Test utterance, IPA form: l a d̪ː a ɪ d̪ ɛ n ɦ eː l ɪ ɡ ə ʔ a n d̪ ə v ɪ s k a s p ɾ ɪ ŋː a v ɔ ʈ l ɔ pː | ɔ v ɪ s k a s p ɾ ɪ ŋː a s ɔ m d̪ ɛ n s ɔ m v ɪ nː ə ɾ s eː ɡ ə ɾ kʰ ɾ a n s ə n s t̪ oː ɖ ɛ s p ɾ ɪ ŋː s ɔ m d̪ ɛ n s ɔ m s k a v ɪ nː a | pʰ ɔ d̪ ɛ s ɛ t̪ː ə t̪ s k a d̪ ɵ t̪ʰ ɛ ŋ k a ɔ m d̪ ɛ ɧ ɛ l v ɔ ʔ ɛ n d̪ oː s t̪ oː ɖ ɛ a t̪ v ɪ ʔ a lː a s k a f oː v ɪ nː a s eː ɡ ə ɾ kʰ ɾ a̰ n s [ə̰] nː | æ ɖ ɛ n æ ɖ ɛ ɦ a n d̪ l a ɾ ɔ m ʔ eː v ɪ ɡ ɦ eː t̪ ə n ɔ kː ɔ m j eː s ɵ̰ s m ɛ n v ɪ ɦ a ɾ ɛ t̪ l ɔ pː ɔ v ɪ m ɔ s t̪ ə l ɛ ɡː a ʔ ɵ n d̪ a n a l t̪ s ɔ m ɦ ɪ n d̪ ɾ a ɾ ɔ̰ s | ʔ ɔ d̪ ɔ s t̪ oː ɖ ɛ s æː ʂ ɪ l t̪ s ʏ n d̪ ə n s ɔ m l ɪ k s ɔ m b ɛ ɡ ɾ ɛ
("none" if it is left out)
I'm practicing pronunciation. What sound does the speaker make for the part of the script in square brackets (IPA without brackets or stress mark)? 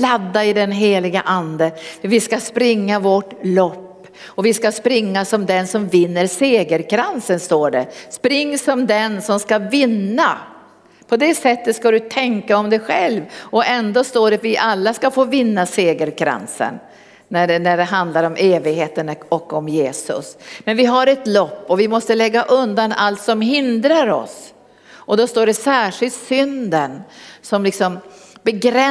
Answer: ə̰